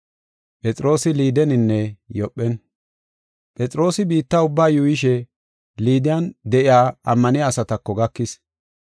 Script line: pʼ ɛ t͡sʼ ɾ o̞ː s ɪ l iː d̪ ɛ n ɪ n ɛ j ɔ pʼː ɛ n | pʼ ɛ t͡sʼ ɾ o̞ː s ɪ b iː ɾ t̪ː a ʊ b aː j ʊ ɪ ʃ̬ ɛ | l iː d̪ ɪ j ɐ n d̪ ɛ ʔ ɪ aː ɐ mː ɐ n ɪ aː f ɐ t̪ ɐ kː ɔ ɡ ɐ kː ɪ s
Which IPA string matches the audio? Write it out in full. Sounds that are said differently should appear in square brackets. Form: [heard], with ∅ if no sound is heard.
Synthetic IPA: pʼ ɛ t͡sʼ ɾ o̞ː s ɪ l iː d̪ ɛ n ɪ [nː] ɛ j ɔ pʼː ɛ n | pʼ ɛ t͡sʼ ɾ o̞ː s ɪ b iː [∅] t̪ː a ʊ [bː] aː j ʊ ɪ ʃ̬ ɛ | l iː d̪ ɪ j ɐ n d̪ ɛ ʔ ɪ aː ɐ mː ɐ n ɪ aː [s] ɐ t̪ ɐ kː ɔ ɡ ɐ kː ɪ s

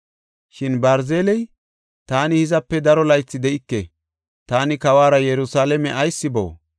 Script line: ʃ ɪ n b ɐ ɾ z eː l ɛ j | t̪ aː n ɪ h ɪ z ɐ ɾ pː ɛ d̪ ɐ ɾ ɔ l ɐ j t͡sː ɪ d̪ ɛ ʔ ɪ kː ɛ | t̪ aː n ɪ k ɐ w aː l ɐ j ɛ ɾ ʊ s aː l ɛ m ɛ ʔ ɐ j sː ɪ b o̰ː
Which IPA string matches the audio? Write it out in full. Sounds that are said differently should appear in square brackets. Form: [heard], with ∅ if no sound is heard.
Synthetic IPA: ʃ ɪ n b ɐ ɾ z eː l ɛ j | t̪ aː n ɪ h ɪ z ɐ [∅] pː ɛ d̪ ɐ ɾ ɔ l ɐ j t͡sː ɪ d̪ ɛ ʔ ɪ kː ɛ | t̪ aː n ɪ k ɐ w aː [ɾ] ɐ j ɛ ɾ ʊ s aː l ɛ m ɛ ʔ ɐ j sː ɪ b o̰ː

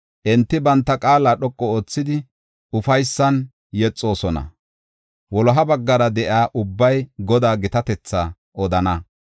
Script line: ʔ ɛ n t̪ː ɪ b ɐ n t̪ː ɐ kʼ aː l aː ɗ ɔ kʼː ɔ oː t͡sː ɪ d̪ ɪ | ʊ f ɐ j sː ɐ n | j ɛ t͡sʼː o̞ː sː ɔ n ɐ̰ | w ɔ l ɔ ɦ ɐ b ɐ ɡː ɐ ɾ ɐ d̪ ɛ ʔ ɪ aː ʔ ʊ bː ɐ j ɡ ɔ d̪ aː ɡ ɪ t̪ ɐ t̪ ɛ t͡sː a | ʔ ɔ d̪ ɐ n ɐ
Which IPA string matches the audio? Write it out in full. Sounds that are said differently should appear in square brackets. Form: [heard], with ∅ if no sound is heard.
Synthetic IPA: ʔ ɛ n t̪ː ɪ b ɐ n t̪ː ɐ kʼ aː l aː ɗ ɔ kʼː ɔ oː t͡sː ɪ d̪ ɪ | ʊ f ɐ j sː ɐ n | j ɛ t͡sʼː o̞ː [s] ɔ n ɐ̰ | w ɔ l ɔ ɦ ɐ b ɐ ɡː ɐ ɾ ɐ d̪ ɛ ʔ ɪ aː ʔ ʊ bː ɐ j ɡ ɔ d̪ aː ɡ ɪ t̪ ɐ t̪ ɛ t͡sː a | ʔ ɔ d̪ ɐ n ɐ

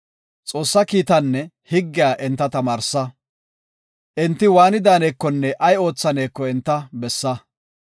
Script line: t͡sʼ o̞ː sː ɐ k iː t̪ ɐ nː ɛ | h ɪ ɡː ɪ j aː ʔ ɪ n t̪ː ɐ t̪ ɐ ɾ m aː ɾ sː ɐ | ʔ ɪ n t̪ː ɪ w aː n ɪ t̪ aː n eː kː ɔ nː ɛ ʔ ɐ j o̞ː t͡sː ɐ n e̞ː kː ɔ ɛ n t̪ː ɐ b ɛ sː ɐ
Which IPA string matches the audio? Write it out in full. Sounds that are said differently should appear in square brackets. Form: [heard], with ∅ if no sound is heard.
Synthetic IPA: t͡sʼ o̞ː sː ɐ k iː t̪ ɐ nː ɛ | h ɪ ɡː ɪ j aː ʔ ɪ n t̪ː ɐ t̪ ɐ [∅] m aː ɾ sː ɐ | ʔ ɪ n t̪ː ɪ w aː n ɪ [d̪] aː n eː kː ɔ nː ɛ ʔ ɐ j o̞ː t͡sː ɐ n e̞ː kː ɔ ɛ n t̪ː ɐ b ɛ sː ɐ

